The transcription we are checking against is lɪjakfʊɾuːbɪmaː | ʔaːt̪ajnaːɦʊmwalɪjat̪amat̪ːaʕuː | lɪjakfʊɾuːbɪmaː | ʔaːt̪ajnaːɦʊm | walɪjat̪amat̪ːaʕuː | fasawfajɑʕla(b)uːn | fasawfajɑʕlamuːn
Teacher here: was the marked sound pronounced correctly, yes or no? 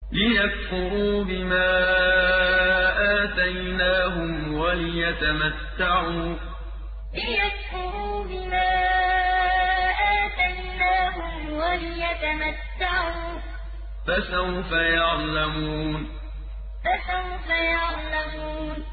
no